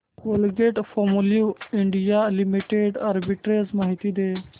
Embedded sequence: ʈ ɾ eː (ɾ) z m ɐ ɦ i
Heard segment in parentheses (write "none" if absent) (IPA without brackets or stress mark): none